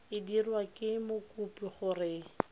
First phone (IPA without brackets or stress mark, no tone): ɪ